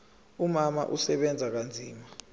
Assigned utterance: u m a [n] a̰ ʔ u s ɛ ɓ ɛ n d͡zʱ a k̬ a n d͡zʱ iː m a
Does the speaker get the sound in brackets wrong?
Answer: yes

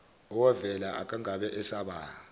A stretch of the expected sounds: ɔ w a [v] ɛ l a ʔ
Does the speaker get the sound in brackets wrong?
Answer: no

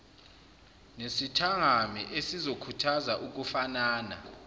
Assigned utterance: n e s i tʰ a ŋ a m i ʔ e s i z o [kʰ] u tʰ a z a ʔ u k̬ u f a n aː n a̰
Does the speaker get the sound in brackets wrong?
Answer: no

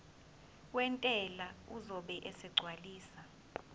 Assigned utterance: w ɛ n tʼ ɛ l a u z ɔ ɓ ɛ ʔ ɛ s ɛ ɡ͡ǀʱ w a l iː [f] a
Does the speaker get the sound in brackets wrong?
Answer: yes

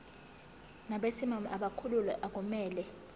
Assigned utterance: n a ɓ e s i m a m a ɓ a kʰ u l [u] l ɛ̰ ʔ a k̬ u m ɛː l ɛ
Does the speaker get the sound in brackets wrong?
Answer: no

